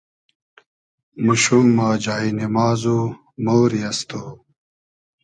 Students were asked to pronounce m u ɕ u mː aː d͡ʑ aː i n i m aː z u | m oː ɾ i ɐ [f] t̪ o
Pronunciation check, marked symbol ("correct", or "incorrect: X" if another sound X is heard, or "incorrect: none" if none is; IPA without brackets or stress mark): incorrect: s